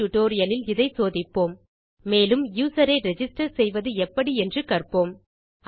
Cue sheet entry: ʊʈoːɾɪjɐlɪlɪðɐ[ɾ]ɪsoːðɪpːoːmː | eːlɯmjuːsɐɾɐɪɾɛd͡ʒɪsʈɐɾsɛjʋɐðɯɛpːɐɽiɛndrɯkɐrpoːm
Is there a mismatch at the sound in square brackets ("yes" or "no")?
yes